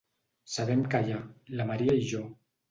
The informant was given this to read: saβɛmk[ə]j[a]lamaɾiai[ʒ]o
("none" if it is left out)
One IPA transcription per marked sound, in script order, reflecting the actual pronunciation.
a, a, ʒ

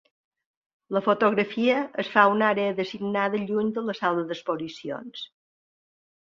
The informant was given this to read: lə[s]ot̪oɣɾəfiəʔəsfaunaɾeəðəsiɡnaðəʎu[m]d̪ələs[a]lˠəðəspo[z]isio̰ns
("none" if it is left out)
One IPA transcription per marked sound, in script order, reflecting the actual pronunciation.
f, ɲ, a, z

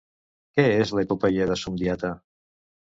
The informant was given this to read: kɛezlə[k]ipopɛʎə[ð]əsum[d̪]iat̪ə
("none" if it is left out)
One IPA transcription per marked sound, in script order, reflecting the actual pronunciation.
none, ð, d̪

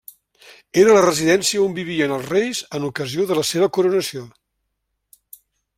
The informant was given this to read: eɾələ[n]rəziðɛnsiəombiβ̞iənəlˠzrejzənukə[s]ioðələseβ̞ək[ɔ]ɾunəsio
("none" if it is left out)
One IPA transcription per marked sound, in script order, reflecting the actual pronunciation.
none, z, u

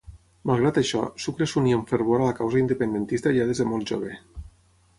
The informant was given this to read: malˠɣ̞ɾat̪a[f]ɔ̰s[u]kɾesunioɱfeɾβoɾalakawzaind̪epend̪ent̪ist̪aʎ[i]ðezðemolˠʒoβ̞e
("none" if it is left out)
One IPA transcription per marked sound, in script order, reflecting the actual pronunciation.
ʃ, u, a

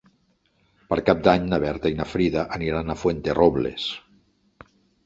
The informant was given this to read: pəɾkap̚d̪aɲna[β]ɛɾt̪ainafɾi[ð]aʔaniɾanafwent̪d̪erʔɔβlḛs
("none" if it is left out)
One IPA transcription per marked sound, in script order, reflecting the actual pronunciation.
β, ð

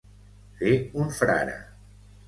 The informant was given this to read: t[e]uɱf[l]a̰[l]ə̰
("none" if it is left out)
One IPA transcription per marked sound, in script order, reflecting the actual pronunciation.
e, ɾ, ɾ

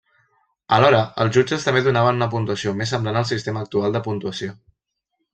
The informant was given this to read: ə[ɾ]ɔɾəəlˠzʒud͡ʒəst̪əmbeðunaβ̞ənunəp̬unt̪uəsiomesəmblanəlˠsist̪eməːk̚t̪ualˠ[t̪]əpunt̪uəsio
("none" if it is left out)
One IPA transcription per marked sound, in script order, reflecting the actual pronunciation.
l, d̪

